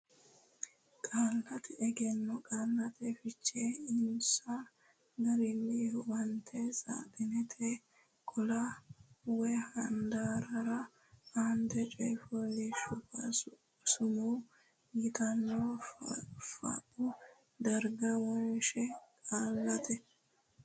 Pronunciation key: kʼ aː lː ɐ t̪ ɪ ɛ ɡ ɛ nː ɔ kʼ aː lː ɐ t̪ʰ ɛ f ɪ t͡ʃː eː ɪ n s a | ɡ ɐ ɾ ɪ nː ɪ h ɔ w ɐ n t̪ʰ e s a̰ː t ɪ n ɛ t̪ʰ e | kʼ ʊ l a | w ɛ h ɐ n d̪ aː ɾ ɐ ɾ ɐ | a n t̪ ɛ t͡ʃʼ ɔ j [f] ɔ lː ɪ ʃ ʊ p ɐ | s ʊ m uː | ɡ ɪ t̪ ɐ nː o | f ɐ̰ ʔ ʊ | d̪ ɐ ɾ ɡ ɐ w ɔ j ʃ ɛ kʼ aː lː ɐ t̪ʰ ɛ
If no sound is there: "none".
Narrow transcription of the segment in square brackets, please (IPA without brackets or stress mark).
f